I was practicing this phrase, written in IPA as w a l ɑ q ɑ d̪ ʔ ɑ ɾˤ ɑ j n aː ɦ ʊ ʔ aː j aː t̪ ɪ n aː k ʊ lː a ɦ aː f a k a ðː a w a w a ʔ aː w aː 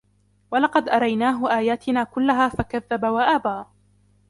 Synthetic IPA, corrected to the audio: w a l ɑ q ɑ d̪ ʔ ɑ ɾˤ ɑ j n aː ɦ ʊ ʔ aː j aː t̪ ɪ n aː k ʊ lː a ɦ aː f a k a ðː a b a w a ʔ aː b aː